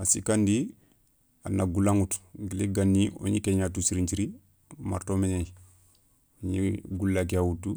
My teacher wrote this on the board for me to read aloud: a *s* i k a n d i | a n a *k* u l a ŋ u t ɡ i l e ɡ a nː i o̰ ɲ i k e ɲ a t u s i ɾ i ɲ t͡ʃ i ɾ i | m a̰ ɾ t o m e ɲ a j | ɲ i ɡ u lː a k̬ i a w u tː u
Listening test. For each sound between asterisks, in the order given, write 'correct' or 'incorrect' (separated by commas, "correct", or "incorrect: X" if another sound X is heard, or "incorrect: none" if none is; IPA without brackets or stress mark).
correct, incorrect: ɡ